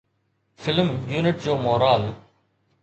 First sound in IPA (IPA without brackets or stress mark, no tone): f